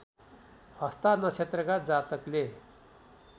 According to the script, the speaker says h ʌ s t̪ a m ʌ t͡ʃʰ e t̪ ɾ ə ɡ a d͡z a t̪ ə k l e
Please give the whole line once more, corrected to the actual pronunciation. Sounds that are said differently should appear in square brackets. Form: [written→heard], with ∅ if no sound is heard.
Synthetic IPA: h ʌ s t̪ a [m→n] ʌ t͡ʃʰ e t̪ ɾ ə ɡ a d͡z a t̪ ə k l e